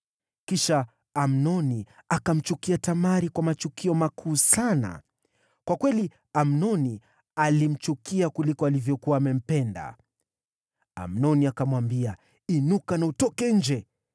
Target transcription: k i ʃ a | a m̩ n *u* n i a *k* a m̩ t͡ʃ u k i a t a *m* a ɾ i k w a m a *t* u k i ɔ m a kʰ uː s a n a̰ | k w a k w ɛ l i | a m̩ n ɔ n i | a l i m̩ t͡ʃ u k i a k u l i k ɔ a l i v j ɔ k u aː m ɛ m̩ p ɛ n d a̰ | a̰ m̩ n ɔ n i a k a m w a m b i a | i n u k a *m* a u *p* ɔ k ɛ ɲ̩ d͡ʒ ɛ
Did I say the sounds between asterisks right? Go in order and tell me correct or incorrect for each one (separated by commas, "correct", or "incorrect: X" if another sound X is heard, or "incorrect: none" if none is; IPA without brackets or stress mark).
incorrect: ɔ, correct, correct, incorrect: t͡ʃ, incorrect: n, incorrect: t